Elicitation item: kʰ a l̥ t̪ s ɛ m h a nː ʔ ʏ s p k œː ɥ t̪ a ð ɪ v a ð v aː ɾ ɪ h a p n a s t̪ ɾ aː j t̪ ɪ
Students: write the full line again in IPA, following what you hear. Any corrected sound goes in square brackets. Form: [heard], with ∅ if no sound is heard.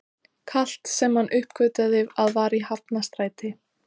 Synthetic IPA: kʰ a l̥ t̪ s ɛ m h a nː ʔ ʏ [h] p k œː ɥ t̪ a ð ɪ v a ð v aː ɾ [i] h a p n a s t̪ ɾ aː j t̪ ɪ